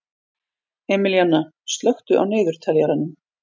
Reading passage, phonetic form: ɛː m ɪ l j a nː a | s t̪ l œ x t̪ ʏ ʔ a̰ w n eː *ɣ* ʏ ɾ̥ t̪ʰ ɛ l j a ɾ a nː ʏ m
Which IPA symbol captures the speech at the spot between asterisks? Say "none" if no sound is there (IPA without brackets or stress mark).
ð